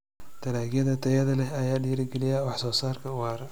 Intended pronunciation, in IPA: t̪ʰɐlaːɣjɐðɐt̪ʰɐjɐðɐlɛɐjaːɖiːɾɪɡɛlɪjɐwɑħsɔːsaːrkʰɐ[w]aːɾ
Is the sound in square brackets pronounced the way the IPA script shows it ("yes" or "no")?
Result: yes